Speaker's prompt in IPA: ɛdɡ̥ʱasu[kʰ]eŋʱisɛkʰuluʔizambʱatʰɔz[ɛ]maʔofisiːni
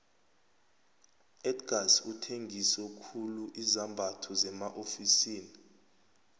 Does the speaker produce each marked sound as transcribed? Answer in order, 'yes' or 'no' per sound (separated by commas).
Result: no, yes